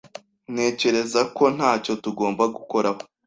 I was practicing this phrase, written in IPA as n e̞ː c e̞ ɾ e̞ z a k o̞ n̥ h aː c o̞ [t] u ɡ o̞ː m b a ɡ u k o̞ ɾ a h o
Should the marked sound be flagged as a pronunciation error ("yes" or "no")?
no